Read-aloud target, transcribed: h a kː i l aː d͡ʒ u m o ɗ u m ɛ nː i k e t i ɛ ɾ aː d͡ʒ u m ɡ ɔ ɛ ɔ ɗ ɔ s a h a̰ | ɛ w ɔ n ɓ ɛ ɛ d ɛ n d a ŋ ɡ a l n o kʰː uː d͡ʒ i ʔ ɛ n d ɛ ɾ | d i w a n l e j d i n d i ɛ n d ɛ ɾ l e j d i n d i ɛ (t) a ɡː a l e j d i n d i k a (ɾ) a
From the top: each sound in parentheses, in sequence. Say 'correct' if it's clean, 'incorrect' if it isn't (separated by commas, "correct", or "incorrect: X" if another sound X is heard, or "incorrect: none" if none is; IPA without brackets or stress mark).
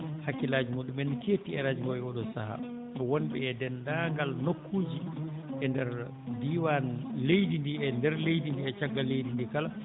incorrect: t͡ʃ, incorrect: l